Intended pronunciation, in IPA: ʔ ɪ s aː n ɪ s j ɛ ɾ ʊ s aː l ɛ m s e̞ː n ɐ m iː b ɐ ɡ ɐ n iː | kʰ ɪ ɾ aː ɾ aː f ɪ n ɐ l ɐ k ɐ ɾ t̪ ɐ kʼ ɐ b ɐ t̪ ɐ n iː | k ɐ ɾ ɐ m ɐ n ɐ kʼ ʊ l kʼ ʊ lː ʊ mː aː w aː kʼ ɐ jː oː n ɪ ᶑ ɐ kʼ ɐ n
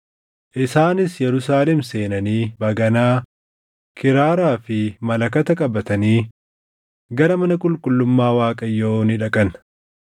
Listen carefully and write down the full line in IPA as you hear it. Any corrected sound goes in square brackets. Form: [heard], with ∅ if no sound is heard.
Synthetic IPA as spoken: ʔ ɪ s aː n ɪ s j ɛ ɾ ʊ s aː l ɛ m s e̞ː n ɐ [n] iː b ɐ ɡ ɐ n [aː] | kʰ ɪ ɾ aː ɾ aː f ɪ [m] ɐ l ɐ k ɐ [∅] t̪ ɐ kʼ ɐ b ɐ t̪ ɐ n iː | [ɡ] ɐ ɾ ɐ m ɐ n ɐ kʼ ʊ l kʼ ʊ lː ʊ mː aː w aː kʼ ɐ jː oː n ɪ ᶑ ɐ kʼ ɐ n

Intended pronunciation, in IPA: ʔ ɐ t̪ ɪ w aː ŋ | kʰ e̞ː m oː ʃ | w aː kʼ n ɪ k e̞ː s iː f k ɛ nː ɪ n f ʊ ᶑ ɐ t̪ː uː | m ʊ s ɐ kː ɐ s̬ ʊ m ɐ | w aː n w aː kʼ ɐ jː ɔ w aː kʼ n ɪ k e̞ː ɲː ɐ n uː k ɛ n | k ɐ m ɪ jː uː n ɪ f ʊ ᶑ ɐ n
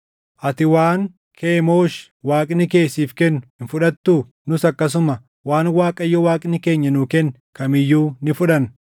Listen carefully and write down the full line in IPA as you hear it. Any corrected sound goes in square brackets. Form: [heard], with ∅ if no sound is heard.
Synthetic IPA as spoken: ʔ ɐ t̪ ɪ w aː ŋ | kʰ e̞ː m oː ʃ | w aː kʼ n ɪ k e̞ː s iː f k ɛ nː ɪ n f ʊ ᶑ ɐ t̪ː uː | [n] ʊ s ɐ kː ɐ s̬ ʊ m ɐ | w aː n w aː kʼ ɐ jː ɔ w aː kʼ n ɪ k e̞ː ɲː ɐ n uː k ɛ n | k ɐ m ɪ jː uː n ɪ f ʊ ᶑ ɐ n

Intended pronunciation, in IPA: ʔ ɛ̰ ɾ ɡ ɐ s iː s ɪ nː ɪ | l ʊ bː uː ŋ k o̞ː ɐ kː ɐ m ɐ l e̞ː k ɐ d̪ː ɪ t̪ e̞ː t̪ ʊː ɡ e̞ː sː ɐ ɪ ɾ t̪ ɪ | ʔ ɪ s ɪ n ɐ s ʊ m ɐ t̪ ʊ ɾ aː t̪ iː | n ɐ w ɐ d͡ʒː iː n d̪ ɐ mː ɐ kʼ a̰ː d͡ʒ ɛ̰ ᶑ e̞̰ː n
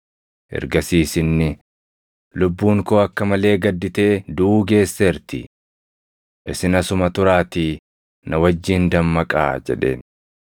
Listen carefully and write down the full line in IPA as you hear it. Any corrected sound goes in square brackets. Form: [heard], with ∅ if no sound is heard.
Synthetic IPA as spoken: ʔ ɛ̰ ɾ ɡ ɐ s iː s ɪ nː ɪ | l ʊ bː uː ŋ k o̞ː ɐ kː ɐ m ɐ l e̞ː [ɡ] ɐ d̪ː ɪ t̪ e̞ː [d̪] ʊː ɡ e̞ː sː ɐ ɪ ɾ t̪ ɪ | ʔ ɪ s ɪ n ɐ s ʊ m ɐ t̪ ʊ ɾ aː t̪ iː | n ɐ w ɐ d͡ʒː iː n d̪ ɐ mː ɐ kʼ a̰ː d͡ʒ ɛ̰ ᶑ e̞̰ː n

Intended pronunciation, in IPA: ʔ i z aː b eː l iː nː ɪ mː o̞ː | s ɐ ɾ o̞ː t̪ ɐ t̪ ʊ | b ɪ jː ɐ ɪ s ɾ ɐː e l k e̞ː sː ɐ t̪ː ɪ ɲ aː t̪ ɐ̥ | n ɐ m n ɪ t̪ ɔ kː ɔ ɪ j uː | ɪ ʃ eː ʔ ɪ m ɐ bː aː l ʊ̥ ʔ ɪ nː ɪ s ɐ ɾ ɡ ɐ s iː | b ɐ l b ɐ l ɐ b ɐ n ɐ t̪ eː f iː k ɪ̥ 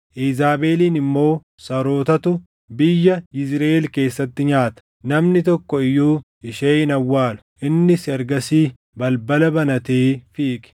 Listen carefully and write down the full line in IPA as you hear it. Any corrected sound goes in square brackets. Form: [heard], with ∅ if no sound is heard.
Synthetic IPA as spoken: ʔ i z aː b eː l iː [n] ɪ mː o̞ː | s ɐ ɾ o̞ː t̪ ɐ t̪ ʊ | b ɪ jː ɐ ɪ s ɾ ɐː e l k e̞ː sː ɐ t̪ː ɪ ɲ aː t̪ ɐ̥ | n ɐ m n ɪ t̪ ɔ kː ɔ ɪ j uː | ɪ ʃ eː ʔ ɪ [n] ɐ [wː] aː l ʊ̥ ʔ ɪ nː ɪ s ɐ ɾ ɡ ɐ s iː | b ɐ l b ɐ l ɐ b ɐ n ɐ t̪ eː f iː k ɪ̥

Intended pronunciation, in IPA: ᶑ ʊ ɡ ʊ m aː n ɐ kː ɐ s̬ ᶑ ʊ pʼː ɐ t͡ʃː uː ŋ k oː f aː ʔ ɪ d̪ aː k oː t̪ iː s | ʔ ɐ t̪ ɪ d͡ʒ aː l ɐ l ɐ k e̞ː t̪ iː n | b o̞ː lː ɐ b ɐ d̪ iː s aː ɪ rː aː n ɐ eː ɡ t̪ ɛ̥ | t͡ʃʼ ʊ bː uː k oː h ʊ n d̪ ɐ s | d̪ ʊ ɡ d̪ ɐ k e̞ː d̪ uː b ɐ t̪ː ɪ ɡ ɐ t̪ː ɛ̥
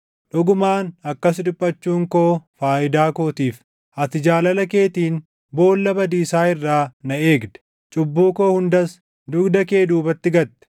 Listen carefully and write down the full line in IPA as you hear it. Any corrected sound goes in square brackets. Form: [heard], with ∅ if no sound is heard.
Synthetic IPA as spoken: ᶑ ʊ ɡ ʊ m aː n ɐ kː ɐ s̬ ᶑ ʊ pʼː ɐ t͡ʃː uː ŋ k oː f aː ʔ ɪ d̪ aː k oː t̪ iː [f] | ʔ ɐ t̪ ɪ d͡ʒ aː l ɐ l ɐ k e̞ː t̪ iː n | b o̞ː lː ɐ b ɐ d̪ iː s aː ɪ rː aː n ɐ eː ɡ [d̪] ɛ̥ | t͡ʃʼ ʊ bː uː k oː h ʊ n d̪ ɐ s | d̪ ʊ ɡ d̪ ɐ k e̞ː d̪ uː b ɐ t̪ː ɪ ɡ ɐ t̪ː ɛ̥

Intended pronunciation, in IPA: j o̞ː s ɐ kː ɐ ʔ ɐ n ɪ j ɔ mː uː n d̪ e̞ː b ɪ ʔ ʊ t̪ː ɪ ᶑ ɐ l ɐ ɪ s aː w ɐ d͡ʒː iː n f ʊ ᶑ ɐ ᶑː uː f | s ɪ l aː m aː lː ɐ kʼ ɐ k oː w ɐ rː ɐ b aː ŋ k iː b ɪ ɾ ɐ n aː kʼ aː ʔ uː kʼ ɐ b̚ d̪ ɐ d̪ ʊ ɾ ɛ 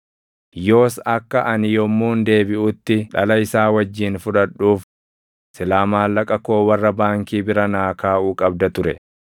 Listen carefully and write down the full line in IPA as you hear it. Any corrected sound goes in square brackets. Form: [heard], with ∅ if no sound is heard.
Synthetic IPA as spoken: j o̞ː s ɐ kː ɐ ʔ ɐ n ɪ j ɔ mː uː n d̪ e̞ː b ɪ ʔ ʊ t̪ː ɪ ᶑ ɐ l ɐ ɪ s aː w ɐ d͡ʒː iː n f ʊ ᶑ ɐ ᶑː uː f | s ɪ l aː m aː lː ɐ kʼ ɐ k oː w ɐ rː ɐ b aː ŋ k iː b ɪ ɾ ɐ n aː [k] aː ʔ uː kʼ ɐ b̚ d̪ ɐ [t̪] ʊ ɾ ɛ

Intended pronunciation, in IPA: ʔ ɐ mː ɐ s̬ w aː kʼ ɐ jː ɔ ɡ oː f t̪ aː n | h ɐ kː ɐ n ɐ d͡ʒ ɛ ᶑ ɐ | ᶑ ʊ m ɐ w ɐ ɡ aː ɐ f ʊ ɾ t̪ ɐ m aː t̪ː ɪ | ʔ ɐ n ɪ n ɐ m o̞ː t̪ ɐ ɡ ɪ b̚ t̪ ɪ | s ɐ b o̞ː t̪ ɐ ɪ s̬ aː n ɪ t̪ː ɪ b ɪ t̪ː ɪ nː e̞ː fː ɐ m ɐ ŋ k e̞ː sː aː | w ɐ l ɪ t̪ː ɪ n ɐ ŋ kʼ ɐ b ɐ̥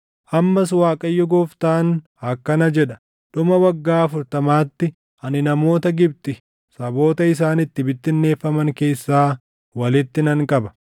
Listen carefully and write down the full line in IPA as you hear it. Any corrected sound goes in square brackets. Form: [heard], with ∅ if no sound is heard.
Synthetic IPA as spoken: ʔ ɐ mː ɐ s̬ w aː kʼ ɐ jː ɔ ɡ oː f t̪ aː n | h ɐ kː ɐ n ɐ d͡ʒ ɛ ᶑ ɐ | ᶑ ʊ m ɐ w ɐ [ɡː] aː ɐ f ʊ ɾ t̪ ɐ m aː t̪ː ɪ | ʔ ɐ n ɪ n ɐ m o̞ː t̪ ɐ ɡ ɪ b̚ t̪ ɪ | s ɐ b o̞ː t̪ ɐ ɪ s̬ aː n ɪ t̪ː ɪ b ɪ t̪ː ɪ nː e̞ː fː ɐ m ɐ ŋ k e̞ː sː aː | w ɐ l ɪ t̪ː ɪ n ɐ ŋ kʼ ɐ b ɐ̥

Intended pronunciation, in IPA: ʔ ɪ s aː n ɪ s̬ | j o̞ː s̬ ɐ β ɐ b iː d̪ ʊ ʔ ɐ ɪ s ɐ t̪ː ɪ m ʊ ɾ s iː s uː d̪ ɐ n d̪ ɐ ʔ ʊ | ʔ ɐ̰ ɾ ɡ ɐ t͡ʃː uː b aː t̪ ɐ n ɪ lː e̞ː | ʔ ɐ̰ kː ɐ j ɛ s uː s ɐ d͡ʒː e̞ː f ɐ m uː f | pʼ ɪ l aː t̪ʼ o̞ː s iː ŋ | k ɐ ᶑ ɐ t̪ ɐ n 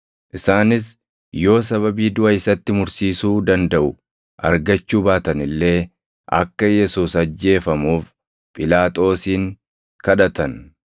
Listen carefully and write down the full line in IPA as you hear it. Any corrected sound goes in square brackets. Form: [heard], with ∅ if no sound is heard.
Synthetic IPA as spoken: ʔ ɪ s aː n ɪ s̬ | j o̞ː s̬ ɐ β ɐ b iː d̪ ʊ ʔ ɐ ɪ s ɐ t̪ː ɪ m ʊ ɾ s iː s uː d̪ ɐ n d̪ ɐ ʔ ʊ | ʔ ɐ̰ ɾ ɡ ɐ t͡ʃː uː b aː t̪ ɐ n ɪ lː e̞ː | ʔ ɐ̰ kː ɐ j ɛ s uː s ɐ d͡ʒː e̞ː f ɐ m uː f | pʼ ɪ l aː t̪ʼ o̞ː s iː ŋ | k ɐ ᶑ ɐ t̪ ɐ n

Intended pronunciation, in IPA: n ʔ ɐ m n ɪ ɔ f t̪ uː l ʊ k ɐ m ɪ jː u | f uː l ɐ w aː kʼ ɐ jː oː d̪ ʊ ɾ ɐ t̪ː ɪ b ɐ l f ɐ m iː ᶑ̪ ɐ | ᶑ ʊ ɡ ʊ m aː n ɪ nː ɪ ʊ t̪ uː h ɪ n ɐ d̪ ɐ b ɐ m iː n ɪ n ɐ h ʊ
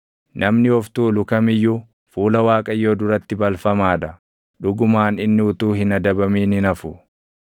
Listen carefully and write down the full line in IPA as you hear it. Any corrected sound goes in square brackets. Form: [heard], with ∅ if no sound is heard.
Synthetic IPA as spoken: n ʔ ɐ m n ɪ ɔ f t̪ uː l ʊ k ɐ m ɪ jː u | f uː l ɐ w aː kʼ ɐ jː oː d̪ ʊ ɾ ɐ t̪ː ɪ b ɐ l f ɐ m [aː] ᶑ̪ ɐ | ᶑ ʊ ɡ ʊ m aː n ɪ nː ɪ ʊ t̪ uː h ɪ n ɐ d̪ ɐ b ɐ m iː n ɪ n ɐ [f] ʊ

